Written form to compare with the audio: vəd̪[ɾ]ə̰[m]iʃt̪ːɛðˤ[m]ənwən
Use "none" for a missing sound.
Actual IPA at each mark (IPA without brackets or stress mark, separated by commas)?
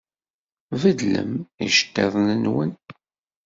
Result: l, m, n